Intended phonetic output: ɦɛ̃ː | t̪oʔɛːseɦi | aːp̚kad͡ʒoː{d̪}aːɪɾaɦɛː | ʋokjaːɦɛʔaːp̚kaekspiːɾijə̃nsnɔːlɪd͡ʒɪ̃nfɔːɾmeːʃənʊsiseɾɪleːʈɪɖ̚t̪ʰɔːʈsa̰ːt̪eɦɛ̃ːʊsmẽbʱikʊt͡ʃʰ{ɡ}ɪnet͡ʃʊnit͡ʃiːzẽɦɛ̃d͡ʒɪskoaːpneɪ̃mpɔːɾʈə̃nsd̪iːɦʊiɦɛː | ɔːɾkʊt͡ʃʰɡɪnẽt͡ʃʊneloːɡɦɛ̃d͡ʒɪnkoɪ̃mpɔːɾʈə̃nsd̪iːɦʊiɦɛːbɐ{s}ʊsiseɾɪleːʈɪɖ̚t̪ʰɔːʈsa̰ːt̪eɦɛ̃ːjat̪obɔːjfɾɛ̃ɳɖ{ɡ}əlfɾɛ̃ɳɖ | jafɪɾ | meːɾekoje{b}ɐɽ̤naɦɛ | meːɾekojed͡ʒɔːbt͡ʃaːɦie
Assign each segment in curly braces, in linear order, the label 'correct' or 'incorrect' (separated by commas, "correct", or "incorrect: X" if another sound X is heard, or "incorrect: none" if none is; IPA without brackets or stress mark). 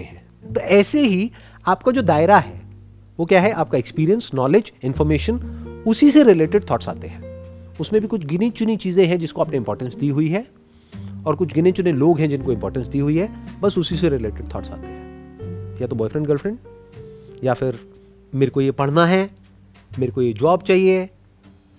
correct, correct, correct, correct, incorrect: p